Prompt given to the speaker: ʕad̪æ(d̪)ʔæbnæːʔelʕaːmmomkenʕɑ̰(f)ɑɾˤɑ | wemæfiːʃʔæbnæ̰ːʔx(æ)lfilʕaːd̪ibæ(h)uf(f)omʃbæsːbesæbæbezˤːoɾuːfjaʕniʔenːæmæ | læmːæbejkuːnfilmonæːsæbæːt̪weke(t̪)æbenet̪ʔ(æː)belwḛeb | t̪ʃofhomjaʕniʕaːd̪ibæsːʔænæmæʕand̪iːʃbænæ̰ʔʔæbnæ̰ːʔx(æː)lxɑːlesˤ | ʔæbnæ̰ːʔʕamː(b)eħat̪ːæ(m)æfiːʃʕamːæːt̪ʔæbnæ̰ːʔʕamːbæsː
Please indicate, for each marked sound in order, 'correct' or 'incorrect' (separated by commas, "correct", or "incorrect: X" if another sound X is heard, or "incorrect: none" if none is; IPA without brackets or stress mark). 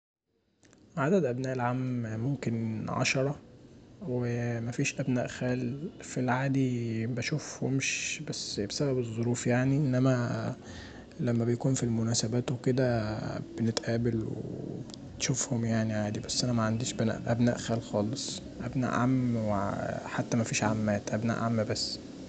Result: correct, incorrect: ʃ, incorrect: æː, incorrect: ʃ, incorrect: h, incorrect: d̪, correct, correct, incorrect: w, correct